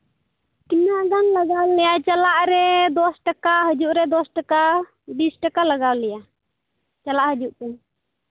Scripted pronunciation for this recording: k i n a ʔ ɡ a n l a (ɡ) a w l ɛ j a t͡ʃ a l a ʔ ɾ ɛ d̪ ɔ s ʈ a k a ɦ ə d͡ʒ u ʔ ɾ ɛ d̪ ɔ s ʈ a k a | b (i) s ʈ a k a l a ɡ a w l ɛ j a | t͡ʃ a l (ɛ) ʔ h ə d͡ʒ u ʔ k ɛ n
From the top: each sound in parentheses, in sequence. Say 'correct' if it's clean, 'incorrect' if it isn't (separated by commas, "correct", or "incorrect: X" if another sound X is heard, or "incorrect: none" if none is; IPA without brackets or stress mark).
correct, correct, incorrect: a